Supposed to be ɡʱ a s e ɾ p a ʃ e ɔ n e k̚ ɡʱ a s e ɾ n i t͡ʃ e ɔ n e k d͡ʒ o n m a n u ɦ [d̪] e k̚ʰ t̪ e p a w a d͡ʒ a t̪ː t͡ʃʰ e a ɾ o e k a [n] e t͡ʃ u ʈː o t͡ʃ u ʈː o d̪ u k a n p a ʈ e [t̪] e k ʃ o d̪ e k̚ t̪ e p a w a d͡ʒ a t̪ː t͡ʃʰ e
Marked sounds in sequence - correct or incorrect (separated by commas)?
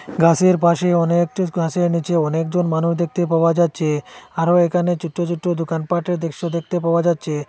correct, correct, incorrect